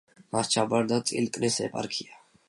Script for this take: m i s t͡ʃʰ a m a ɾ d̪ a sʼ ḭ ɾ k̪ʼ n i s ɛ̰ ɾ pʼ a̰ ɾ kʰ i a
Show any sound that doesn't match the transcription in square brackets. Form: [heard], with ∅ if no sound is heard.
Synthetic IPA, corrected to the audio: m [a] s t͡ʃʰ a [b] a ɾ d̪ a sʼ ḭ [l] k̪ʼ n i s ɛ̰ [∅] pʼ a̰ ɾ kʰ i a